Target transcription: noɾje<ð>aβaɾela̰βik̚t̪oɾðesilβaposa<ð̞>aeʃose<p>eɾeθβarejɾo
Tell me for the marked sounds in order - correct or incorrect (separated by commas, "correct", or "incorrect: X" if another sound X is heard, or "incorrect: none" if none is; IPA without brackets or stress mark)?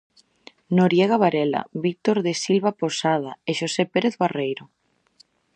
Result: incorrect: ɣ, correct, correct